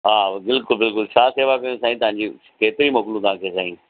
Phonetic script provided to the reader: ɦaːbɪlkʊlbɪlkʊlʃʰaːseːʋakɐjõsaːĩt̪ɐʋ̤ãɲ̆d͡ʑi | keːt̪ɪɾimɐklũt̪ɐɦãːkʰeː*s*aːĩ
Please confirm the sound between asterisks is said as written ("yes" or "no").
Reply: yes